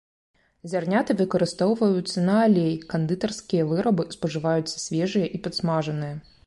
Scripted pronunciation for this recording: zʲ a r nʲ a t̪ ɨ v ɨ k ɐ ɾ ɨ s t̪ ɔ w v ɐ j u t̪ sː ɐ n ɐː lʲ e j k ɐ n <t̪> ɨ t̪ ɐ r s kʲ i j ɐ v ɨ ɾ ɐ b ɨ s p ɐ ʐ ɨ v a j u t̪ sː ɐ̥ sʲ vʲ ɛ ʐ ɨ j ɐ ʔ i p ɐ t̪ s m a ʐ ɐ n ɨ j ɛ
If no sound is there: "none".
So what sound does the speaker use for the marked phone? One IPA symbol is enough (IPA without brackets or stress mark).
d̪